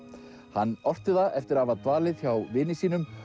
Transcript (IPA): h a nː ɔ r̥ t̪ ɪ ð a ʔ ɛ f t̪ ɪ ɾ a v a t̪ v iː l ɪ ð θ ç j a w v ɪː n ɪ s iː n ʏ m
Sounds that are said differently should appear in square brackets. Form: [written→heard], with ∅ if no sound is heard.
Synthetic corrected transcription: h a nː ɔ r̥ t̪ ɪ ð a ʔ ɛ f t̪ ɪ ɾ a v a t̪ v [iː→aː] l ɪ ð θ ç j a w v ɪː n ɪ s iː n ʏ m

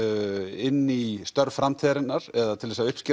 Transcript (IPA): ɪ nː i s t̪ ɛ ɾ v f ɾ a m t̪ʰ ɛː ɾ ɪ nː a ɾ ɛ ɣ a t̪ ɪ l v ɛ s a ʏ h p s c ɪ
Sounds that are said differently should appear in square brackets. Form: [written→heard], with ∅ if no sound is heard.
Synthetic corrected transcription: ɪ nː i s t̪ [ɛ→œ] ɾ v f ɾ a m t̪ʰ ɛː ɾ ɪ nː a ɾ ɛ [ɣ→ð] a [t̪→t̪ʰ] ɪ l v ɛ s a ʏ h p s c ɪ

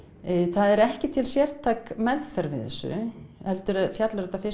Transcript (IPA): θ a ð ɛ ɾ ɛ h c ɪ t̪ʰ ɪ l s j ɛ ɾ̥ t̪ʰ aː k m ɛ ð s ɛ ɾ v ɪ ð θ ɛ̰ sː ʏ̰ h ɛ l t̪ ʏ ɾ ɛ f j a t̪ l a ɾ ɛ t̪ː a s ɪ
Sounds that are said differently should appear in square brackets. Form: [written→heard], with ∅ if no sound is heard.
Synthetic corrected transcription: θ a ð ɛ ɾ ɛ h c ɪ t̪ʰ ɪ l s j ɛ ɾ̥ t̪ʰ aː k m ɛ ð [s→f] ɛ ɾ v ɪ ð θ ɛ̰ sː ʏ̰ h ɛ l t̪ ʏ ɾ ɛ f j a t̪ l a ɾ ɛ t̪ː a [s→f] ɪ

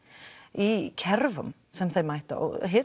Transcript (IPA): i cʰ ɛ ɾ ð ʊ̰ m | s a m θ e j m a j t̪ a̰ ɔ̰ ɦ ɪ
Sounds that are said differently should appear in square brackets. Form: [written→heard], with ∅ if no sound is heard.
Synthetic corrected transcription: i [cʰ→kʰ] ɛ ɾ [ð→v] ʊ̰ m | s [a→ɛ] m θ e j m a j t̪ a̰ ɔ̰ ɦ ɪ

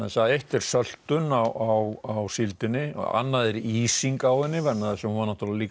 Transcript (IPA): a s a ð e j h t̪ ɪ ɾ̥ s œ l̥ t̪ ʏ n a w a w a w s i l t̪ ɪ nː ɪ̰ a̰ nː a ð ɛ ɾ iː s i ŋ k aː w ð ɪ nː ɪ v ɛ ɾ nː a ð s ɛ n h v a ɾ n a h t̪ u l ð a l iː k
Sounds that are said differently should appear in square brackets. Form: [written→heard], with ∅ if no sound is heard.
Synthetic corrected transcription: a s a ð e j h t̪ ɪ ɾ̥ s œ l̥ t̪ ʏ n a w a w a w s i l t̪ ɪ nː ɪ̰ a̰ nː a ð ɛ ɾ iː s i ŋ k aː w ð ɪ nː ɪ v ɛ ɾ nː a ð s ɛ [n→m] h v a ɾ n a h t̪ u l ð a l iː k

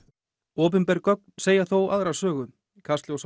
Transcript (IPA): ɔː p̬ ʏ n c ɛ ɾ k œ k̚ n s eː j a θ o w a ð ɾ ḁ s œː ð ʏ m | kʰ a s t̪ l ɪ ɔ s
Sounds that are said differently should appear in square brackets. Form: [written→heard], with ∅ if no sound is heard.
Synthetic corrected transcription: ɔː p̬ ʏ n [c→p] ɛ ɾ k œ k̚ n s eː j a θ o w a ð ɾ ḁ s œː [ð→ɣ] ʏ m | kʰ a s t̪ l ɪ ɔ s

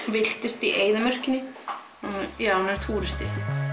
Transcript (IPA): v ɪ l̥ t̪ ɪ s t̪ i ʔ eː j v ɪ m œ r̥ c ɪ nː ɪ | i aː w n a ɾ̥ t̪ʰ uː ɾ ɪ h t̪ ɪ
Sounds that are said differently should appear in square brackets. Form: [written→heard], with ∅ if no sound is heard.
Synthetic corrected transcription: v ɪ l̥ t̪ ɪ s t̪ i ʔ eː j [v→ð] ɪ m œ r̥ c ɪ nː ɪ | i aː w n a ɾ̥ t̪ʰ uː ɾ ɪ [h→s] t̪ ɪ

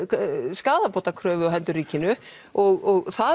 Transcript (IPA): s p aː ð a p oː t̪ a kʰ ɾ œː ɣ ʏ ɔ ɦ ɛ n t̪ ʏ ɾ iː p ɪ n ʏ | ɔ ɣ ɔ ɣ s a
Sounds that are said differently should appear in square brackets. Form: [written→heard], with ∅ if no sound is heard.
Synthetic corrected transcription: s [p→k] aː ð a p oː t̪ a kʰ ɾ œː [ɣ→v] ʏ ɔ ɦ ɛ n t̪ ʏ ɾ iː [p→c] ɪ n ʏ | ɔ ɣ ɔ ɣ [s→θ] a

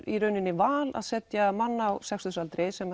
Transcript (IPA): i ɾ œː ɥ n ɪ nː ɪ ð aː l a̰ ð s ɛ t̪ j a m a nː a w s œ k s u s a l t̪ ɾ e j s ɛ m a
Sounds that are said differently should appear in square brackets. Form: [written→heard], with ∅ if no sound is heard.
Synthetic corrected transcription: i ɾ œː ɥ n ɪ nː ɪ [ð→v] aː l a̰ ð s ɛ t̪ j a m a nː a w s [œ→ɛ] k s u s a l t̪ ɾ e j s ɛ m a

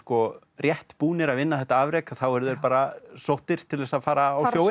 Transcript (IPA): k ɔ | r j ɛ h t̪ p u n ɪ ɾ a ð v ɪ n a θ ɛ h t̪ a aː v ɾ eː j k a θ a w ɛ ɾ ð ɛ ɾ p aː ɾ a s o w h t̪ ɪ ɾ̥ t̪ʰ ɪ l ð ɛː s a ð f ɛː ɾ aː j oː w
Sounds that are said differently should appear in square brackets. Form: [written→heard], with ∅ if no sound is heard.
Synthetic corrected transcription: k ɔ | r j ɛ h t̪ p [u→uː] n ɪ ɾ a ð v ɪ [n→nː] a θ ɛ h t̪ a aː v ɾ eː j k a θ a w ɛ ɾ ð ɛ ɾ p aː ɾ a s o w h t̪ ɪ ɾ̥ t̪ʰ ɪ l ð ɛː s a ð f [ɛː→aː] ɾ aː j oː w

